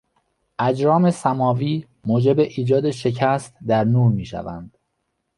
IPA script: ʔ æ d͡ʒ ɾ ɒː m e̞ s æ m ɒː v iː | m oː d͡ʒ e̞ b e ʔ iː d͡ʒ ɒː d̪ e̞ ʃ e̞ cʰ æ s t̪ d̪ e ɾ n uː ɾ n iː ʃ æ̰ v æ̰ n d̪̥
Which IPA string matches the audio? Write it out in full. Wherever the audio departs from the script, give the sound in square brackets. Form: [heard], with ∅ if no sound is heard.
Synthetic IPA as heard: ʔ æ d͡ʒ ɾ ɒː m e̞ s æ m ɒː v iː | m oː d͡ʒ e̞ b e ʔ iː d͡ʒ ɒː d̪ e̞ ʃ e̞ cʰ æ s t̪ d̪ [æ] ɾ n uː ɾ [m] iː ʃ æ̰ v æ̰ n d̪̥